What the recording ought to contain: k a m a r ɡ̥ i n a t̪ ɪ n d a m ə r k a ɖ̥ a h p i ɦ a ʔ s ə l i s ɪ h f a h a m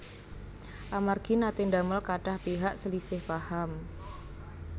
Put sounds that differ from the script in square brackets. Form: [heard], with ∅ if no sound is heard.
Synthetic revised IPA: [ʔ] a m a r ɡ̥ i n a t̪ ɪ n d a m ə [l] k a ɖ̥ a h p i ɦ a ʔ s ə l i s ɪ h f a h a m